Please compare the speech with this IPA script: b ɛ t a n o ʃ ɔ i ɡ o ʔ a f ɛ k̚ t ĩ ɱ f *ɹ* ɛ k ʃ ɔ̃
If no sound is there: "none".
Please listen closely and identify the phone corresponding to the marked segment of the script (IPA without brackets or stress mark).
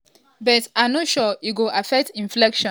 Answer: l